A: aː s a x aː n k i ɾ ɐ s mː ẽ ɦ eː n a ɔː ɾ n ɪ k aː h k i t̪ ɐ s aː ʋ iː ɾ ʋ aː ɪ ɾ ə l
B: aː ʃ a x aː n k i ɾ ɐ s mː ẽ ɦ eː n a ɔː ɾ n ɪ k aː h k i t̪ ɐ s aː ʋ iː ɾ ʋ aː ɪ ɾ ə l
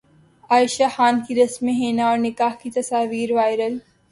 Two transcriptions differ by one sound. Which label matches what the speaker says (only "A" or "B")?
B